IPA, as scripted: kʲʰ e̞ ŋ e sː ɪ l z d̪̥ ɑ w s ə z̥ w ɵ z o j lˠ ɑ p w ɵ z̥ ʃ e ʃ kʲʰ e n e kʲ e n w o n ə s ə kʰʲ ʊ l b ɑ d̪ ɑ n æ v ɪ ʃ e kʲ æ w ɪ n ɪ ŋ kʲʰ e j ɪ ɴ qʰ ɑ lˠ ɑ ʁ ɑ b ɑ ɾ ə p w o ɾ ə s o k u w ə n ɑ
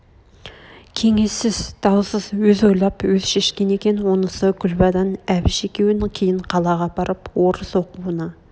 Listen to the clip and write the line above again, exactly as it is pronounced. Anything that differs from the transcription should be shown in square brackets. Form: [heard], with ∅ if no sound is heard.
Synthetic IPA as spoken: kʲʰ e̞ ŋ e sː ɪ [∅] z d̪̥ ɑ w s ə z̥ w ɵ z o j lˠ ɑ p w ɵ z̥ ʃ e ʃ [kʲ] e n e kʲ e n w o n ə s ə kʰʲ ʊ l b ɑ d̪ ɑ n æ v ɪ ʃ e kʲ [e] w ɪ n ɪ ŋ kʲʰ e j ɪ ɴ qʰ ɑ lˠ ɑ ʁ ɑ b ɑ ɾ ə p w o ɾ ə s o [q] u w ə n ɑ